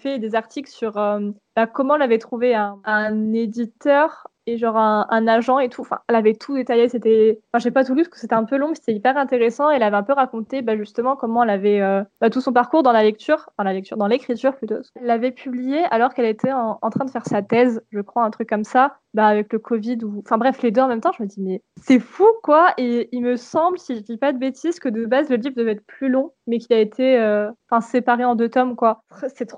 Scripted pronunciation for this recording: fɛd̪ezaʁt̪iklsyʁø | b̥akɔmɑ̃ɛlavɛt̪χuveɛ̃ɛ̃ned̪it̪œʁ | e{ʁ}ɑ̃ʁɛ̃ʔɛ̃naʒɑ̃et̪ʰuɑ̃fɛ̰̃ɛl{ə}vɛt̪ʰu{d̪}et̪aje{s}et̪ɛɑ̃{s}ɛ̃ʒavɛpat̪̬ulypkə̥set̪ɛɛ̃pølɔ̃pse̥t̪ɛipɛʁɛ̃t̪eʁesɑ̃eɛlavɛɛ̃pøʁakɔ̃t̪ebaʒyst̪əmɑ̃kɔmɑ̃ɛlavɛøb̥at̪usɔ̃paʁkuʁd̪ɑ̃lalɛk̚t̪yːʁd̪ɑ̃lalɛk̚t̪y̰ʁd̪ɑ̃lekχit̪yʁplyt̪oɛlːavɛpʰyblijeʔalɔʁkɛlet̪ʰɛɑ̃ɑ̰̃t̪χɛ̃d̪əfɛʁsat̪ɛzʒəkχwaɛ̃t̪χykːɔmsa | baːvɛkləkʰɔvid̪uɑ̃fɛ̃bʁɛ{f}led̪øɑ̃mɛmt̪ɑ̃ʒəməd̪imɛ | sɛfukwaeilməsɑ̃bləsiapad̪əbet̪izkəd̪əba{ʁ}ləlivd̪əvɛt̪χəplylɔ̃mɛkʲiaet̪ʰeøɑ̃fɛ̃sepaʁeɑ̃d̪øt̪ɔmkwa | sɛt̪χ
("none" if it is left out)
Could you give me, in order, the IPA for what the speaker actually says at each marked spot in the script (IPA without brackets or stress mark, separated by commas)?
ʒ, a, d̪, s, f, f, z